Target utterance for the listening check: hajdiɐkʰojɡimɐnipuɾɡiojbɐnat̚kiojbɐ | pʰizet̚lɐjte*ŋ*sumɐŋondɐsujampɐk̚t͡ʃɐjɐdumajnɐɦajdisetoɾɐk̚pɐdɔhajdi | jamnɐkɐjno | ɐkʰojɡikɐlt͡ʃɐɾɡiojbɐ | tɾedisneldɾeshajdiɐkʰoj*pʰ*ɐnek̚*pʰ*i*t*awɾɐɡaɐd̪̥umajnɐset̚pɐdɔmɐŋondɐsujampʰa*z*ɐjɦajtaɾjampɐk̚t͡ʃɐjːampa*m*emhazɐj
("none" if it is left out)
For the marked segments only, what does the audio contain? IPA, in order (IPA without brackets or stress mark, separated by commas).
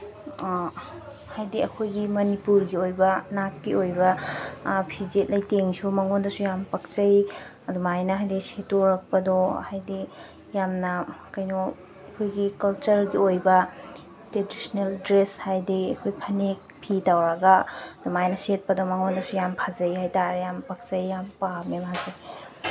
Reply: ŋ, pʰ, pʰ, t, z, m